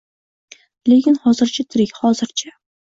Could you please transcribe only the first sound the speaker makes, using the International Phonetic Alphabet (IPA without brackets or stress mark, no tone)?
l